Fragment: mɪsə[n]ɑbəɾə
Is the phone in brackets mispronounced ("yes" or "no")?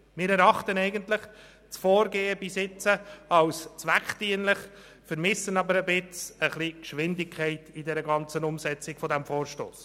no